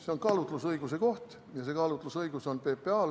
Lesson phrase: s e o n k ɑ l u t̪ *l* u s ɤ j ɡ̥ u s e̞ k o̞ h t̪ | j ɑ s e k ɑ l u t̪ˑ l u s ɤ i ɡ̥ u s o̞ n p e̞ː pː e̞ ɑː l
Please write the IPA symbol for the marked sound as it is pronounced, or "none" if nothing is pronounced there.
l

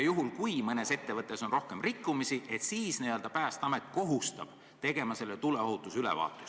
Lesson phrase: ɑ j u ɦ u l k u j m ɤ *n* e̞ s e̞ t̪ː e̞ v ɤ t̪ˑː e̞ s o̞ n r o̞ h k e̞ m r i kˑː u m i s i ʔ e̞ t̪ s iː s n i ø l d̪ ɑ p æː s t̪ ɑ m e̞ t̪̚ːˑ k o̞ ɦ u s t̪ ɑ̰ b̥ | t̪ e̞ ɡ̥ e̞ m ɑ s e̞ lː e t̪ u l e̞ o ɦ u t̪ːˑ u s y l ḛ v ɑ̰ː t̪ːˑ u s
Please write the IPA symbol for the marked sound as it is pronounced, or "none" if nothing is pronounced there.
n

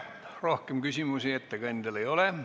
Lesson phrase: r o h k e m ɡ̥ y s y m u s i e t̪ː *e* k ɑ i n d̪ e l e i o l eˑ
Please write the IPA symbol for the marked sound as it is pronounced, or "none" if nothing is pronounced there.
æ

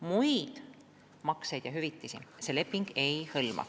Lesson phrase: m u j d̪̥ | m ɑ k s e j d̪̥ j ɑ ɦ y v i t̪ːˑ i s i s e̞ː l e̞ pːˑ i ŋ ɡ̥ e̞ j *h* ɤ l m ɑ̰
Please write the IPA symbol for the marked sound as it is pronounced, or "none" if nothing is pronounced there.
h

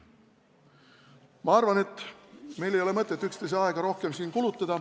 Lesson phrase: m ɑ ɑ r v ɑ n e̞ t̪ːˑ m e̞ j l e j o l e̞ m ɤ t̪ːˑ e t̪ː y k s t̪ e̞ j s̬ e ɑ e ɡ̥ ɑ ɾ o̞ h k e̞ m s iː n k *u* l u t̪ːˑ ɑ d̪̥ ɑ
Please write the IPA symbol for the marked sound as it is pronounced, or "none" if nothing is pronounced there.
u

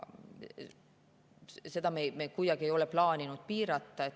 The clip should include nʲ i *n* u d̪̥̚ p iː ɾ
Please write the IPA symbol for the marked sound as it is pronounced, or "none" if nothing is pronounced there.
n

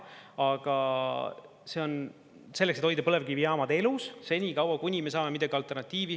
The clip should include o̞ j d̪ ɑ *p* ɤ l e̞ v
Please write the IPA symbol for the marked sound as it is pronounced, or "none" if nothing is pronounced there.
p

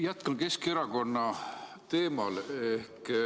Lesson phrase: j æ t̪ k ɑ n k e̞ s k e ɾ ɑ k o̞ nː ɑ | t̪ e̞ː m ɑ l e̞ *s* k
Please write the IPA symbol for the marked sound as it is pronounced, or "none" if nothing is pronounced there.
h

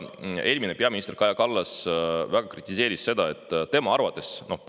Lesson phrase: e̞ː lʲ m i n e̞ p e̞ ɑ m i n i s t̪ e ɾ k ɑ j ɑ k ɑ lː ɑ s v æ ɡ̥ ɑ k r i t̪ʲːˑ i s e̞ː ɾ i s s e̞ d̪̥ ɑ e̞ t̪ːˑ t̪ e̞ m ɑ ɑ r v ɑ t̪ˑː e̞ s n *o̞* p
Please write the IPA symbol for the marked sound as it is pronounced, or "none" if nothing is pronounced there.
o̞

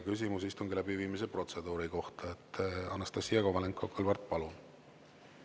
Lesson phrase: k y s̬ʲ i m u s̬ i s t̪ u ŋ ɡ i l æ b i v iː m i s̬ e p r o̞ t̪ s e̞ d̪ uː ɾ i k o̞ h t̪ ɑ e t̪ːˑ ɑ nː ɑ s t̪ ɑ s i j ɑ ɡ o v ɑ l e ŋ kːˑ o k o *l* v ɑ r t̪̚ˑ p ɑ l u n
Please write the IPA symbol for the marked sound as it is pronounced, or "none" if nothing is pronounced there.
l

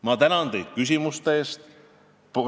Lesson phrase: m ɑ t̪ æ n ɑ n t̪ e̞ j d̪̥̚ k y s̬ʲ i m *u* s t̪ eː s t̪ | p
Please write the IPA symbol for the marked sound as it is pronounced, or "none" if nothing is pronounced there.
u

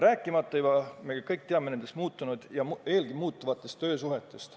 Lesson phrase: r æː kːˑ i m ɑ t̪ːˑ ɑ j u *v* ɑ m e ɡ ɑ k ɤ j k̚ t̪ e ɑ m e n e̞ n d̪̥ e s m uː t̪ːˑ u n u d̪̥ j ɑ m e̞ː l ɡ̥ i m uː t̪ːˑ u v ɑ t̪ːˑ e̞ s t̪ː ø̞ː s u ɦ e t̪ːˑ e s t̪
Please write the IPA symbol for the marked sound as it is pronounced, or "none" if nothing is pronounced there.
b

